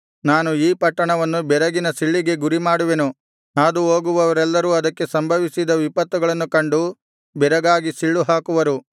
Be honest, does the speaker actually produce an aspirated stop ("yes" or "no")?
no